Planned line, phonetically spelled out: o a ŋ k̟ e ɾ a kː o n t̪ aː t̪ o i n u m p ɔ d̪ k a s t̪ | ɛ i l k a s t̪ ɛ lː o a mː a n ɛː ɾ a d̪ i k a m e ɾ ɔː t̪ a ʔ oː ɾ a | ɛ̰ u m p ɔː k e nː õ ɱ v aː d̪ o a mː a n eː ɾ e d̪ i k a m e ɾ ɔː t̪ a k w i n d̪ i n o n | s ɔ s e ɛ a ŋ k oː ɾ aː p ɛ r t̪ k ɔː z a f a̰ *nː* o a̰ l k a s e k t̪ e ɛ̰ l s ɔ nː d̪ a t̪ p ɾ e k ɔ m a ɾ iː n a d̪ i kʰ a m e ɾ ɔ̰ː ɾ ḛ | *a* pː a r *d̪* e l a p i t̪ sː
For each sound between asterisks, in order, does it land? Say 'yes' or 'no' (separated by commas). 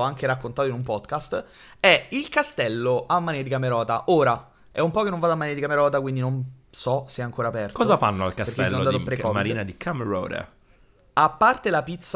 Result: yes, yes, no